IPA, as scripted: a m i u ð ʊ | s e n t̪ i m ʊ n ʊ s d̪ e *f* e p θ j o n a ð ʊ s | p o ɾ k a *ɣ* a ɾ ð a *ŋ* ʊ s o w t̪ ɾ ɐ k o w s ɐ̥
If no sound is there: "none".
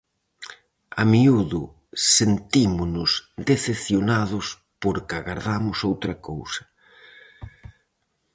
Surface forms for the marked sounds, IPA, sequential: θ, ɣ, m

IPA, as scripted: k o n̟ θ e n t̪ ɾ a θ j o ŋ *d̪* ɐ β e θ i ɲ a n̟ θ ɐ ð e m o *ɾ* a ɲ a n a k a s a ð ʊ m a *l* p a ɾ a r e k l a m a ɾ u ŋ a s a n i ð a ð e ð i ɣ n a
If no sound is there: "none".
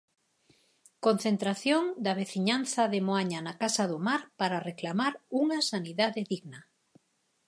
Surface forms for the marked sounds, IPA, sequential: d̪, none, ɾ

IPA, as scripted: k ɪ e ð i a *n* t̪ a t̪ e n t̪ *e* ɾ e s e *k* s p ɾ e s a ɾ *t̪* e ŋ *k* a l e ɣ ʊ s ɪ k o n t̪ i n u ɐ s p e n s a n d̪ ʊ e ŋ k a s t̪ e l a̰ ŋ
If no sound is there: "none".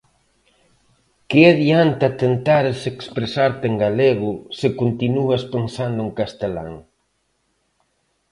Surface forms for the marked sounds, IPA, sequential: n, a, k, t̪, ɡ

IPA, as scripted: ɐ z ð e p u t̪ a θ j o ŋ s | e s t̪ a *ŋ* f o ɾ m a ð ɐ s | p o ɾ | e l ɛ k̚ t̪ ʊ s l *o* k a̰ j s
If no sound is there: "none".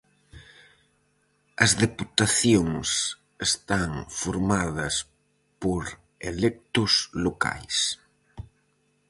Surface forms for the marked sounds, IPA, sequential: ŋ, o

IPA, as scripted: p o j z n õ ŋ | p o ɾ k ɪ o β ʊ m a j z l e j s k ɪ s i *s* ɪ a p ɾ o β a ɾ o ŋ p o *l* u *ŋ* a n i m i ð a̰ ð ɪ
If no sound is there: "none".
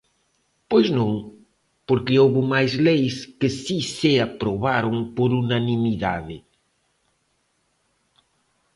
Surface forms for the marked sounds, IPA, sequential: s, ɾ, n

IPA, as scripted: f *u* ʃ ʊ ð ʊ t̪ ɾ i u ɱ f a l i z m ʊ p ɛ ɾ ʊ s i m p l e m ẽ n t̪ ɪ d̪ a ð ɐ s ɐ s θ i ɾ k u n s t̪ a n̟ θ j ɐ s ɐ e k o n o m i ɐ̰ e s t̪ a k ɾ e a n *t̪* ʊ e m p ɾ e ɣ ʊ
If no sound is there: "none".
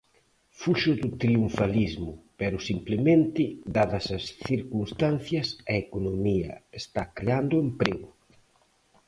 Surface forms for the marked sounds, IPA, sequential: u, d̪

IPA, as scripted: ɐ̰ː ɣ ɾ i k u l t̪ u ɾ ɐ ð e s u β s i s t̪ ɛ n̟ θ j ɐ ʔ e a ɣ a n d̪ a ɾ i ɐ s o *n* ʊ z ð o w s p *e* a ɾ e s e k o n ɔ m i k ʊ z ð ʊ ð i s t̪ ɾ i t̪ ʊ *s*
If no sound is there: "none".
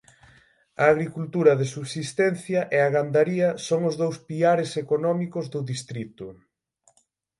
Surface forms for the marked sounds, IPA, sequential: ŋ, i, none

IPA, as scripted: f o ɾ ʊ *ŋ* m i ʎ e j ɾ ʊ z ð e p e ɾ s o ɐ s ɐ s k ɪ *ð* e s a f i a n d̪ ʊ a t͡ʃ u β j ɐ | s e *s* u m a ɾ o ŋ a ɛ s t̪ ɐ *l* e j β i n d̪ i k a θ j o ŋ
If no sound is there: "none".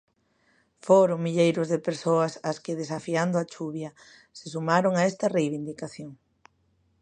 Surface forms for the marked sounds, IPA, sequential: ŋ, ð, s, r

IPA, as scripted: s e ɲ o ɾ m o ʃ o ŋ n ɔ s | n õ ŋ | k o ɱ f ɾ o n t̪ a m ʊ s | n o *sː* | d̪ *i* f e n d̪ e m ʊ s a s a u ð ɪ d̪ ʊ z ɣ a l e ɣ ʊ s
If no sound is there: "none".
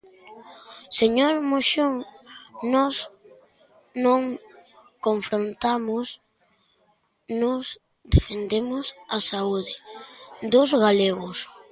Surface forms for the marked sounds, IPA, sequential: s, e

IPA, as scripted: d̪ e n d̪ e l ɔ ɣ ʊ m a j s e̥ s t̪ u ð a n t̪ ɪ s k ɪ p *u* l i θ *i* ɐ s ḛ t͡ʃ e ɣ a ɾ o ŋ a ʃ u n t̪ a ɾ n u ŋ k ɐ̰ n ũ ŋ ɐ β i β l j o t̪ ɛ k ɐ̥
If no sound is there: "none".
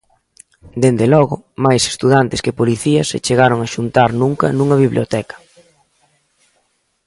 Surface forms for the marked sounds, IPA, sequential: o, i

